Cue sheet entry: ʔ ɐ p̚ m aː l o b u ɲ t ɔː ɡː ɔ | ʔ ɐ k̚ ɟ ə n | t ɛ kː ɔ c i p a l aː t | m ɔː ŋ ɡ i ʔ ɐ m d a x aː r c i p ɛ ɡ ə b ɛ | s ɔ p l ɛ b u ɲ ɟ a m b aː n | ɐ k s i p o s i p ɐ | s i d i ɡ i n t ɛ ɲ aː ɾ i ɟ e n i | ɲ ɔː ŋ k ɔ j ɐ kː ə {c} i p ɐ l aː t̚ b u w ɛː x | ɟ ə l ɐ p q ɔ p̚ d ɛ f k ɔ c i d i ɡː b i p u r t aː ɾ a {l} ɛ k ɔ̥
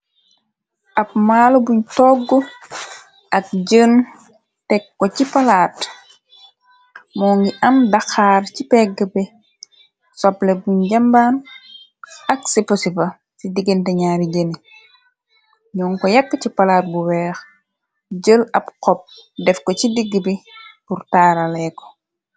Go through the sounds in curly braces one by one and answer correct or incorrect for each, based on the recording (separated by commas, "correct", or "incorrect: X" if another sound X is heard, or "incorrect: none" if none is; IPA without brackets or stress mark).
correct, correct